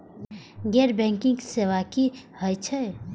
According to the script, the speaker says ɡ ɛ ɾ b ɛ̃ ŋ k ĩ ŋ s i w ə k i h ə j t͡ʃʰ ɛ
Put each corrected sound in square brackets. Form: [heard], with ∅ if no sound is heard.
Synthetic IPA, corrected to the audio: ɡ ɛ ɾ b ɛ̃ ŋ k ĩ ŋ s [e] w [a] k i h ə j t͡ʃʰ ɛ